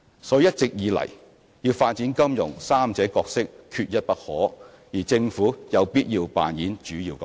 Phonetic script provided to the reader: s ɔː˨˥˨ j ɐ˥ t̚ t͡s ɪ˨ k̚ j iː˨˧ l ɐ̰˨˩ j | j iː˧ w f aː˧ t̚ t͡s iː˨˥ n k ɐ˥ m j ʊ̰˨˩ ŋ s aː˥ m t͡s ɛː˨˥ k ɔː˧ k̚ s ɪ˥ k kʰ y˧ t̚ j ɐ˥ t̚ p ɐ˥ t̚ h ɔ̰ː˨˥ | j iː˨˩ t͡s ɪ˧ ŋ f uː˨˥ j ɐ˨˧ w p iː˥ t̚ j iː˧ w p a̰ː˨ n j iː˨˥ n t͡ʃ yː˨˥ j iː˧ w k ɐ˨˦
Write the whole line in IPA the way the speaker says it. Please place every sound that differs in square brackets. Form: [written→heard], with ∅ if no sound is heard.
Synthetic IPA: s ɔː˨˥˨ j ɐ˥ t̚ t͡s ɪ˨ k̚ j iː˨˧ l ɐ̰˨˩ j | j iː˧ w f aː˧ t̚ t͡s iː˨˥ n k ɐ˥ m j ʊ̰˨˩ ŋ s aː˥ m t͡s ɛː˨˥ k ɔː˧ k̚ s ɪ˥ k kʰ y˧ t̚ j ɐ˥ t̚ p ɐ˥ t̚ h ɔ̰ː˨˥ | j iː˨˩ t͡s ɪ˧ ŋ f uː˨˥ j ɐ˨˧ w p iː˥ t̚ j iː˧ w p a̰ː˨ n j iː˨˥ n t͡ʃ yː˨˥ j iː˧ w k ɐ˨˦

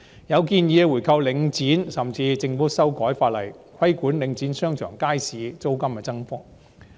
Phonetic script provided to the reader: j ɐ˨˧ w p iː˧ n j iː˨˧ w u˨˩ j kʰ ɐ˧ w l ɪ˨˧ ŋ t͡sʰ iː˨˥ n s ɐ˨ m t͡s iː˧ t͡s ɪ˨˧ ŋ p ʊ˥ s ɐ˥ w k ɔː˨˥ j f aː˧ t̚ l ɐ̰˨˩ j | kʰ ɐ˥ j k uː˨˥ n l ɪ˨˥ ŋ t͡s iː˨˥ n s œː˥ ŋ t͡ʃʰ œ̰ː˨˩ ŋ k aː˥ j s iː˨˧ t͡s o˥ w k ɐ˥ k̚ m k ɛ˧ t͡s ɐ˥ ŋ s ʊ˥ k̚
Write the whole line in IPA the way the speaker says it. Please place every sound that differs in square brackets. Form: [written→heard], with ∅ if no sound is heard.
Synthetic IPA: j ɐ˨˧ w [p→k] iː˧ n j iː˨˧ w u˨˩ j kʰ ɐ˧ w l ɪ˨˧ ŋ [t͡sʰ→t͡s] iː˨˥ n s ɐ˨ m t͡s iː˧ t͡s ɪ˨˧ ŋ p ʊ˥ s ɐ˥ w k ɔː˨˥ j f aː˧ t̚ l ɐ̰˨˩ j | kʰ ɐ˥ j k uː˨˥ n l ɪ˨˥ ŋ t͡s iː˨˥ n s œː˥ ŋ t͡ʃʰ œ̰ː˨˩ ŋ k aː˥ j s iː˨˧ t͡s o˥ w k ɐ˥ [k̚→∅] m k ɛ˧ t͡s ɐ˥ ŋ [s→f] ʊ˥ k̚

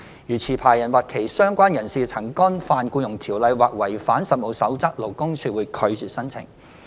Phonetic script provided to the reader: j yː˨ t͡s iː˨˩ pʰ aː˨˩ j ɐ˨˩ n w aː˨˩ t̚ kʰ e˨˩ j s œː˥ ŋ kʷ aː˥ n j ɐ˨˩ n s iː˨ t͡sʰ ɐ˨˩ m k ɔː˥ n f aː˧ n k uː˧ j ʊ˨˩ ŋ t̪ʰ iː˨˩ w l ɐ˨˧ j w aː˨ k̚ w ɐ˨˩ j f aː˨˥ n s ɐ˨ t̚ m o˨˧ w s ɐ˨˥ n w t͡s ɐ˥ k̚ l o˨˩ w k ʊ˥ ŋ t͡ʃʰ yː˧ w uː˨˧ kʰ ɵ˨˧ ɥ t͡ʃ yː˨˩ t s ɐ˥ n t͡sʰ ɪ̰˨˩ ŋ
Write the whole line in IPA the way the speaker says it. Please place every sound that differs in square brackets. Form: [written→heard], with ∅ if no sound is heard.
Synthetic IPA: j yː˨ [t͡s→t͡sʰ] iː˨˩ pʰ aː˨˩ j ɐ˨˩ n w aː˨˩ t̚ kʰ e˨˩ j s œː˥ ŋ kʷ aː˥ n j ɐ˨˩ n s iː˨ t͡sʰ ɐ˨˩ [m→ŋ] k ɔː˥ n f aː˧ n k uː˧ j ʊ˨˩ ŋ t̪ʰ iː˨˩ w l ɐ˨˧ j w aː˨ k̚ w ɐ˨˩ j f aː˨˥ n s ɐ˨ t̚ m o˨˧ w s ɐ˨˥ [n→∅] w t͡s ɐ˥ k̚ l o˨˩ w k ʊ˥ ŋ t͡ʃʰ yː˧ w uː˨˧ kʰ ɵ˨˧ ɥ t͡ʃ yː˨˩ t s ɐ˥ n t͡sʰ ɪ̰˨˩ ŋ

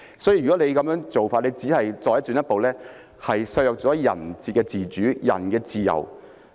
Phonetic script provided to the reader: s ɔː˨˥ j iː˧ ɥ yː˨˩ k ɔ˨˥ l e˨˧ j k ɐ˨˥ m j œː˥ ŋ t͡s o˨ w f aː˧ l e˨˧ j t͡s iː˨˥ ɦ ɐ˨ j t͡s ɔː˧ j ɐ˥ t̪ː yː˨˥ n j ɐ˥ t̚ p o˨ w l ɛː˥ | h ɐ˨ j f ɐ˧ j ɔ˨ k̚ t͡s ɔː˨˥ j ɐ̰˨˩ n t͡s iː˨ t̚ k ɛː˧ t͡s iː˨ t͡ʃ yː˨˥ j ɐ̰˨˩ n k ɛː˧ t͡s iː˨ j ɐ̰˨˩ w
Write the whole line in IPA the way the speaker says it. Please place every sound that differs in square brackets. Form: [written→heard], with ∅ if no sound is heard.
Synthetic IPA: s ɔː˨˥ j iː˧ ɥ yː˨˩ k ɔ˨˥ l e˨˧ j k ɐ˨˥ m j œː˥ ŋ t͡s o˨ w f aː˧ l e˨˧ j t͡s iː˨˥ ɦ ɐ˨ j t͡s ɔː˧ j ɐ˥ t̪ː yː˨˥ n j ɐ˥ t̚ p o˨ w l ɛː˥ | h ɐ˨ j [f→s] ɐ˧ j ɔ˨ k̚ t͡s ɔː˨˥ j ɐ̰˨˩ n t͡s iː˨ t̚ k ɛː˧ t͡s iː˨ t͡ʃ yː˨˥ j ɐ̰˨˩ n k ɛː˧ t͡s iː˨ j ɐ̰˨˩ w

